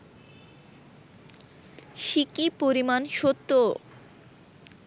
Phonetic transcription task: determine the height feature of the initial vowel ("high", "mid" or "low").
high